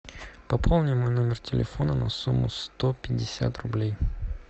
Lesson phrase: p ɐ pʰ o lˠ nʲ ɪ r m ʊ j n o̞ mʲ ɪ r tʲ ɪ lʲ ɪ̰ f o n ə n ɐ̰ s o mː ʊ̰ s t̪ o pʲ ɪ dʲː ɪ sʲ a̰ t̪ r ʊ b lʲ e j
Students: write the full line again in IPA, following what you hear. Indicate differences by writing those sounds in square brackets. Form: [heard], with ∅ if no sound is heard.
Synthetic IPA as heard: p ɐ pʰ o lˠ nʲ ɪ [∅] m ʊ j n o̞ mʲ ɪ r tʲ ɪ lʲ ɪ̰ f o n ə n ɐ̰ s [u] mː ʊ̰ s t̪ o pʲ ɪ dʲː ɪ sʲ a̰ t̪ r ʊ b lʲ e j